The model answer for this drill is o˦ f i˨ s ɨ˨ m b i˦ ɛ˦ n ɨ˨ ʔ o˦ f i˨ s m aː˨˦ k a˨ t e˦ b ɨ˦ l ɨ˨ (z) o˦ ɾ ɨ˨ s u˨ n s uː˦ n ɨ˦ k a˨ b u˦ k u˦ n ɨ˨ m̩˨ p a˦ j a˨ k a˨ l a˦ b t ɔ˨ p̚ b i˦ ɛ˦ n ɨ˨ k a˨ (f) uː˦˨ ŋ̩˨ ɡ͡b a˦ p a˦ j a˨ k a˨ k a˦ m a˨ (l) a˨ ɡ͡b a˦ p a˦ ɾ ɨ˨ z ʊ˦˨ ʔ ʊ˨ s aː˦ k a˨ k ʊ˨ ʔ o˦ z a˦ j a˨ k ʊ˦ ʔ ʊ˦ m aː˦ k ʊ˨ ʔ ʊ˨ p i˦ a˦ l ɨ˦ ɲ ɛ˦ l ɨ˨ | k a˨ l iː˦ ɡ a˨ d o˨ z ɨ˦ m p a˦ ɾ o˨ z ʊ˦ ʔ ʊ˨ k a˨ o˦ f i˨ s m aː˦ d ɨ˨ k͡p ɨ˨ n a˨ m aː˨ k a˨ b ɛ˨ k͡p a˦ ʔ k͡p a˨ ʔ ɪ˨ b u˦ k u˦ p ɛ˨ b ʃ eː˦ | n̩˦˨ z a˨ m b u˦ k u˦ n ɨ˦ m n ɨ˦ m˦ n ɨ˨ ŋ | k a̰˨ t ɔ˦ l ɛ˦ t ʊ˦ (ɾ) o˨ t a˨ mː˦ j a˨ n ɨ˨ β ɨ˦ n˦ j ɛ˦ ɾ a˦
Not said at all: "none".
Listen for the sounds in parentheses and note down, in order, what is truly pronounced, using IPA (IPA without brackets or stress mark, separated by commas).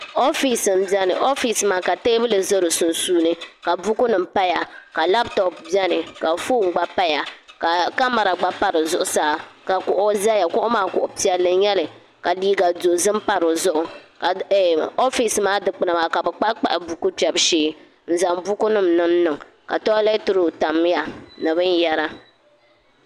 z, f, ɾ, ɾ